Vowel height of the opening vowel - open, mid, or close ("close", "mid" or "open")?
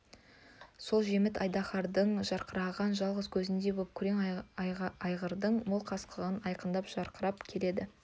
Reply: mid